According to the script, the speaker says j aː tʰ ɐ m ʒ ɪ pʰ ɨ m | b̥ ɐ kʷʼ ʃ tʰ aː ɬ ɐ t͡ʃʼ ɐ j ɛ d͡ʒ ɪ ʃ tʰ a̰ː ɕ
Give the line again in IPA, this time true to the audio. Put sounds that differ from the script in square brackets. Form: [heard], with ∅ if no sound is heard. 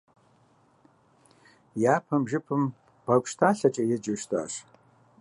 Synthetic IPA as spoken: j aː [pʰ] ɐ m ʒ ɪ pʰ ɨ m | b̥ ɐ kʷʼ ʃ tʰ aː ɬ ɐ t͡ʃʼ ɐ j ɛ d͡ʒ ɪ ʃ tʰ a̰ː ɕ